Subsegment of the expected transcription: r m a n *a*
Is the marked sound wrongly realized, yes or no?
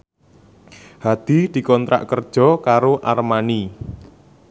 yes